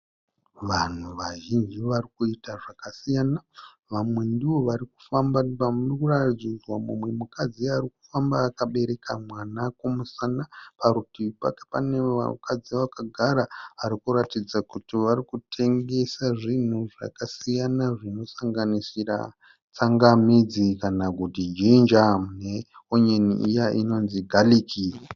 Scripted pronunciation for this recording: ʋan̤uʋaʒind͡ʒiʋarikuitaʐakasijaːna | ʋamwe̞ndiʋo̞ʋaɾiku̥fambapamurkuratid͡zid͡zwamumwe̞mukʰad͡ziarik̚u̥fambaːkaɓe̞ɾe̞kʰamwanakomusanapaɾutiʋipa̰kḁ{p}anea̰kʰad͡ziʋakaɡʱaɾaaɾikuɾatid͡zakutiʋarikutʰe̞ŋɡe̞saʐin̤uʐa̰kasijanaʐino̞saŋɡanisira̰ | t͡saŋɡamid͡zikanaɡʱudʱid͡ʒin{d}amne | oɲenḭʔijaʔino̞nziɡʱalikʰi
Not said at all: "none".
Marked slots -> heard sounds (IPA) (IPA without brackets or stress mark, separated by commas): p, d͡ʒ